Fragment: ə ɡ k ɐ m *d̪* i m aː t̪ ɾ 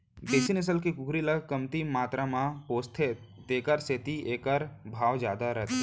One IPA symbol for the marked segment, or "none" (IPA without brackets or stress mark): t̪